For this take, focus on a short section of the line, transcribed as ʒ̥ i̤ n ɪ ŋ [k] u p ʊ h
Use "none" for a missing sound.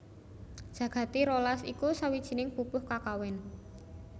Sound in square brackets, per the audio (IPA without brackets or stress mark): p